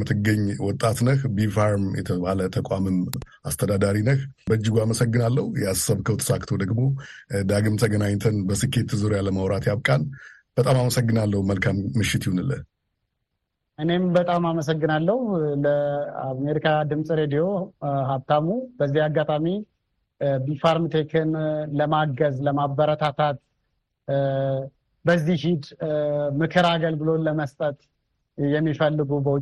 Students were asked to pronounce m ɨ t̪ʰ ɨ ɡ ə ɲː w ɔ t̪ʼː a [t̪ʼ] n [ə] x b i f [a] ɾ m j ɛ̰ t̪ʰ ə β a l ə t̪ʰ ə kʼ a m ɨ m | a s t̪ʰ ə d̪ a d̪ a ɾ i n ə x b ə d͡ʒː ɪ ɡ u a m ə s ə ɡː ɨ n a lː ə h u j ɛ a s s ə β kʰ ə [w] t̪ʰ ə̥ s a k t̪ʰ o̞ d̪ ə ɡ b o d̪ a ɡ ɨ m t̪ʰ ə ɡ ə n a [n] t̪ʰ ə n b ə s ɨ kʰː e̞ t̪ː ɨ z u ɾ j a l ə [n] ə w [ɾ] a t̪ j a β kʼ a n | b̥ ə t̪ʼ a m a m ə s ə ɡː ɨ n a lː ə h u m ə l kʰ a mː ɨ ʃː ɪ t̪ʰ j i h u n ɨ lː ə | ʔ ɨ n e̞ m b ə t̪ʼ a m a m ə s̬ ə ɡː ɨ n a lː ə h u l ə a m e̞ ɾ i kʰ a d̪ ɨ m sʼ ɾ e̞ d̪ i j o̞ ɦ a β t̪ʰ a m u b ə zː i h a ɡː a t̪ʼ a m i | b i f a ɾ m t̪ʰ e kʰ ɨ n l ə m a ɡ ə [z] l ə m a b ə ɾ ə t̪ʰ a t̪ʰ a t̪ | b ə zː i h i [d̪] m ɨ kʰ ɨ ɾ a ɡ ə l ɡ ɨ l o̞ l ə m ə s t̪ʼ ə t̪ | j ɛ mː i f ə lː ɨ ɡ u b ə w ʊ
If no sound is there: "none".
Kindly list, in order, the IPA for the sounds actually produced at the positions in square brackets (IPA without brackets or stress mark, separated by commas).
t̪, ə, a, w, ɲ, m, ɾ, z, d̪